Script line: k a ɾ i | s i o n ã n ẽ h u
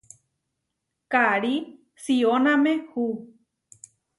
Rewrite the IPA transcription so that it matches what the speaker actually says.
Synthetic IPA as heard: k a ɾ i | s i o n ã m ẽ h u